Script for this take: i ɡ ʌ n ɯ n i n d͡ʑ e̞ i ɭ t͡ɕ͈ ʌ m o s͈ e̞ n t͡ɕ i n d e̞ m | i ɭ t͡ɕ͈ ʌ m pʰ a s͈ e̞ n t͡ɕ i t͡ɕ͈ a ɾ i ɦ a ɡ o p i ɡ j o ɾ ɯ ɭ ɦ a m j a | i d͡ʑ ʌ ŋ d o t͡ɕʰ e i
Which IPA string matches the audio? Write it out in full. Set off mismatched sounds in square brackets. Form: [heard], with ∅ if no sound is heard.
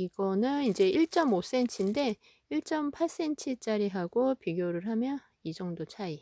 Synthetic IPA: i ɡ ʌ n ɯ n i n d͡ʑ e̞ i ɭ t͡ɕ͈ ʌ m o s͈ e̞ n [t͡ɕʰ] i n d e̞ [∅] | i ɭ t͡ɕ͈ ʌ m pʰ a s͈ e̞ n [t͡ɕʰ] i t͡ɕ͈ a ɾ i ɦ a ɡ o p i ɡ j o ɾ ɯ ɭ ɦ a m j [ʌ] | i d͡ʑ ʌ ŋ d o t͡ɕʰ [a] i